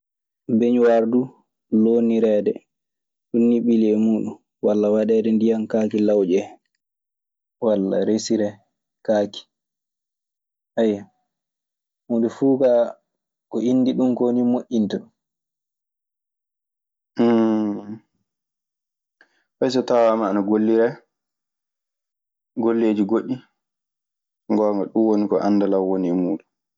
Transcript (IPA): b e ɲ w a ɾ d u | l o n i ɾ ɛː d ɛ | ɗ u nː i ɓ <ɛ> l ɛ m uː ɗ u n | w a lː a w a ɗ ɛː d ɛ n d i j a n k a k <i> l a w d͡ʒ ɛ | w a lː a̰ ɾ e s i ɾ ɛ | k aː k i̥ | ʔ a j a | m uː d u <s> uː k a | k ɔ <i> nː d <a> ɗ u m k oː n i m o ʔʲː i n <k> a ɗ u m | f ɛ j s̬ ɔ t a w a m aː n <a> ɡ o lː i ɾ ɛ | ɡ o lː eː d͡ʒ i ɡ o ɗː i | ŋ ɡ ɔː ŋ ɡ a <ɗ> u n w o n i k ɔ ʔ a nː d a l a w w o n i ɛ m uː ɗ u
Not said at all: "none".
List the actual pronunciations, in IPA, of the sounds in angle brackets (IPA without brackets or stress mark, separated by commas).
i, i, f, i, i, t, a, ɗ